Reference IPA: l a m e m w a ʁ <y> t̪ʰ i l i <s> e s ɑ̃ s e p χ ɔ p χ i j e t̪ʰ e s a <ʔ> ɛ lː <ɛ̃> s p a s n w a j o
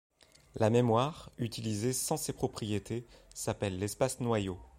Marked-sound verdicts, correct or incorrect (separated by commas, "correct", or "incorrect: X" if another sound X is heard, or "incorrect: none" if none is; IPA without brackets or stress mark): correct, incorrect: z, incorrect: p, incorrect: ɛ